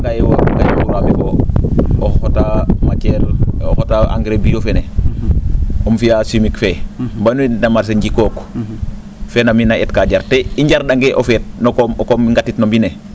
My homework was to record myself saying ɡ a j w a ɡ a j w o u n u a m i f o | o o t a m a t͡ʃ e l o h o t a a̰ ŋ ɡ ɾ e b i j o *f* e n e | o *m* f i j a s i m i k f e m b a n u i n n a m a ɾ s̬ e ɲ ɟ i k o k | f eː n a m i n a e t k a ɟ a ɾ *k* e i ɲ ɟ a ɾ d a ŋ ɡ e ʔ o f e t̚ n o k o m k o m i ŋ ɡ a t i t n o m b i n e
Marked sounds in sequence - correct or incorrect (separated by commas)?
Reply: correct, correct, incorrect